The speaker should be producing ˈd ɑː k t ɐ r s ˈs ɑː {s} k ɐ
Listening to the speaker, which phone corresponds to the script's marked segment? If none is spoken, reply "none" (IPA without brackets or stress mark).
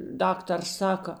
none